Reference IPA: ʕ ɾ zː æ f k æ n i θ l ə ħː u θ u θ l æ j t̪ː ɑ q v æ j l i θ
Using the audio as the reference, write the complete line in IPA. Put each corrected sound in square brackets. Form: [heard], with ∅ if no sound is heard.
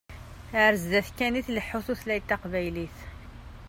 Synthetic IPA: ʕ ɾ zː æ [θ] k æ n i θ l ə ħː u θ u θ l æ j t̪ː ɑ q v æ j l i θ